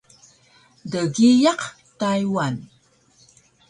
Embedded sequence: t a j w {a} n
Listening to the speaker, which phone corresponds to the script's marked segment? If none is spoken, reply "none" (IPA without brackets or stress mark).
a